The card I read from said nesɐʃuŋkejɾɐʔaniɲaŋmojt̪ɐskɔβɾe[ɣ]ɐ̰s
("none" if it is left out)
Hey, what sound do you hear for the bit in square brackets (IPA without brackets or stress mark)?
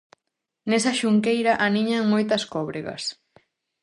ɣ